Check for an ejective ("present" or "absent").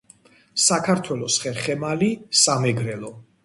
absent